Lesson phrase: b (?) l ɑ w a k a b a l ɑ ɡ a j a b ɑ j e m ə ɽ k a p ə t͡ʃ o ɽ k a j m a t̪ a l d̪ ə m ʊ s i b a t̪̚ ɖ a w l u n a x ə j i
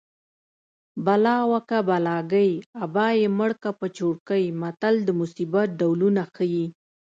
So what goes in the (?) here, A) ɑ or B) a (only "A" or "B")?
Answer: B